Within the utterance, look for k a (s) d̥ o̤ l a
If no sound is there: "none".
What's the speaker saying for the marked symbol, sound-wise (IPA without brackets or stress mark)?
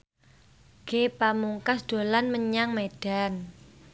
s